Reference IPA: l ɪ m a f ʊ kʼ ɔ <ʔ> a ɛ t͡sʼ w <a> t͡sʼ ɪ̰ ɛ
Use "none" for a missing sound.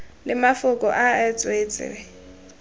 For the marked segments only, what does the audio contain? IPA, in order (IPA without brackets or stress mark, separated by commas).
ʔ, e